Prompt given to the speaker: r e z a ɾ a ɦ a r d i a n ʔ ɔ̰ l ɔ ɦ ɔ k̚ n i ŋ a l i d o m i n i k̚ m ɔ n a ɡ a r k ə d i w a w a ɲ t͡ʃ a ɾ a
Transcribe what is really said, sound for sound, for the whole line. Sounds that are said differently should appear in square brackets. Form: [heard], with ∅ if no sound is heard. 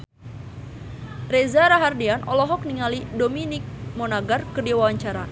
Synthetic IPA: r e z a ɾ a ɦ a r d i a n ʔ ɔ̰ l ɔ ɦ ɔ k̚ n i ŋ a l i d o m i n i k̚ m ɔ n a ɡ a r k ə d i w a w a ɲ t͡ʃ a ɾ a